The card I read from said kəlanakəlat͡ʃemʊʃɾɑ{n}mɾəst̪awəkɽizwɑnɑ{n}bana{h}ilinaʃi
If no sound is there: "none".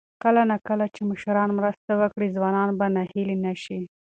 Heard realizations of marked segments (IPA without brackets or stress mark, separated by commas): n, n, h